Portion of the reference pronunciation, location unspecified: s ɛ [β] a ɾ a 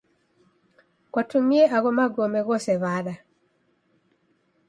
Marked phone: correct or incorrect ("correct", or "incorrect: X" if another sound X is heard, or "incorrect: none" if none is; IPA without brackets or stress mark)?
correct